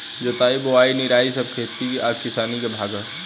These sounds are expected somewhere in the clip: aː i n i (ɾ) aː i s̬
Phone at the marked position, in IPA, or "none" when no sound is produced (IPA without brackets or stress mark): ɾ